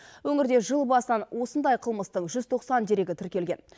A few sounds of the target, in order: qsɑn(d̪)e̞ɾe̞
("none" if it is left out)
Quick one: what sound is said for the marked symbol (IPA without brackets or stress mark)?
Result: d̪